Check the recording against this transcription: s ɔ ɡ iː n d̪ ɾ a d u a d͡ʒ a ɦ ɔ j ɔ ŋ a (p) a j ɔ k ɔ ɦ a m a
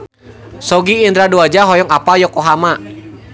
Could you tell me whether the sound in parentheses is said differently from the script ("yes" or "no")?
no